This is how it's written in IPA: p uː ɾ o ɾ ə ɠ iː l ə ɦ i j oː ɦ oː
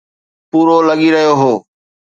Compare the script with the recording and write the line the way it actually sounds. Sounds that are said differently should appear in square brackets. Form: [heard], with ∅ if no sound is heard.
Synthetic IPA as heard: p uː ɾ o [l] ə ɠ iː [ɾ] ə ɦ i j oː ɦ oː